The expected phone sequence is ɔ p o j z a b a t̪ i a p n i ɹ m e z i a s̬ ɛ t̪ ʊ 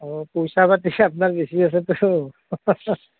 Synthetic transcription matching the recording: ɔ p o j s a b a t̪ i a p n a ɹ b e s i a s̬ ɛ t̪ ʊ